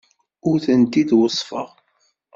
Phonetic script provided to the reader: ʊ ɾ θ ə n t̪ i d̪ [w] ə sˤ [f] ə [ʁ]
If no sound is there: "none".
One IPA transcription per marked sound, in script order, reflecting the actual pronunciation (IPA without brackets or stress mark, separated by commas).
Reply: w, f, ʁ